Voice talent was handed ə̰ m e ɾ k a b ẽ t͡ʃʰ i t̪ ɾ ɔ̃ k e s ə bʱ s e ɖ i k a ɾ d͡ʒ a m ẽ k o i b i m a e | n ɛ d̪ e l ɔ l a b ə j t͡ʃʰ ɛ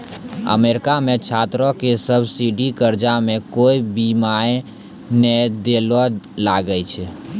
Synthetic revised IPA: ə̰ m e ɾ k a m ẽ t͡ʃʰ a t̪ ɾ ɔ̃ k e s ə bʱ s i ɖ i k ə ɾ d͡ʒ a m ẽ k o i b i m a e | n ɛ d̪ e l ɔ l a ɡ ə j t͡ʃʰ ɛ